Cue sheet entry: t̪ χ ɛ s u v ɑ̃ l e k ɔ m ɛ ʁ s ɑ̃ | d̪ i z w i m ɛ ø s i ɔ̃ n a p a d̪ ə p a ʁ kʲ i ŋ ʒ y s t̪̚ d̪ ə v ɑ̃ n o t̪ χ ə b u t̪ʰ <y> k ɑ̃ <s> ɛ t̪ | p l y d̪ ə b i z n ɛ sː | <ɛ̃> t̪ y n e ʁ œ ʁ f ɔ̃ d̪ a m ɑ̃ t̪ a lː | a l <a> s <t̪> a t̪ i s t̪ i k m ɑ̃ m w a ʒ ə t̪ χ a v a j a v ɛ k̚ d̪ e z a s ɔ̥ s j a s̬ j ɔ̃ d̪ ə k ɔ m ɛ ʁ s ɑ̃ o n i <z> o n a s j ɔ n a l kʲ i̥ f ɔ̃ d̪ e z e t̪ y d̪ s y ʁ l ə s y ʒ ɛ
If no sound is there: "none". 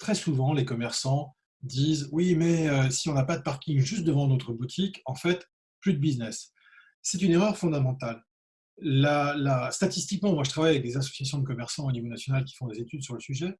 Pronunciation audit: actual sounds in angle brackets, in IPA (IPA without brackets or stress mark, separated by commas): i, f, ɛ, a, t̪, v